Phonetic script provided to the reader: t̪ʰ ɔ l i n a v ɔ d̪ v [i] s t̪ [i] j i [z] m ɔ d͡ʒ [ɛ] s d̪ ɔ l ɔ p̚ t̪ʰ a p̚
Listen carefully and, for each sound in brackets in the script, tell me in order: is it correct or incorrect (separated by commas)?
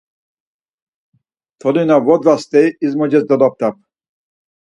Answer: incorrect, incorrect, correct, correct